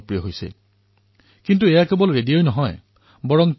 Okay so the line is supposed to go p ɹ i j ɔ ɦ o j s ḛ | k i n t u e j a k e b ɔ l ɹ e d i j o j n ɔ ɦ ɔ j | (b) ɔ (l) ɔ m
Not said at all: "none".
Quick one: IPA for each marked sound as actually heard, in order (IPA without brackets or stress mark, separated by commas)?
b, ɹ